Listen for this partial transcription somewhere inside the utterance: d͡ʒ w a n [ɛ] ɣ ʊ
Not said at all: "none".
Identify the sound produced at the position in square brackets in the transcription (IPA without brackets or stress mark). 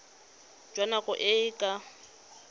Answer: a